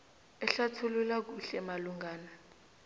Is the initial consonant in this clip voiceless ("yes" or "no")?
yes